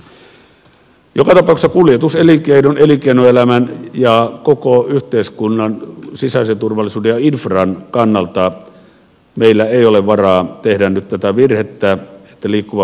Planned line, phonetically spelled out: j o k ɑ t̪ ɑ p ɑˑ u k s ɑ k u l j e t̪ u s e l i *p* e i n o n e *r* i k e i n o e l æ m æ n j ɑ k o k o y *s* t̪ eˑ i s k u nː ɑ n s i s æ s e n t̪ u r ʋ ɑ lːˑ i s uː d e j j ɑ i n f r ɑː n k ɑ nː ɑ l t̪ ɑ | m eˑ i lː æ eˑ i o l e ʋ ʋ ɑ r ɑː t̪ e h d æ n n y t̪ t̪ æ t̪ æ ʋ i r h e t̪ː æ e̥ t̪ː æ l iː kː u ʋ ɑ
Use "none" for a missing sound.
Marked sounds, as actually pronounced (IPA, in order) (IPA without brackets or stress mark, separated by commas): k, l, h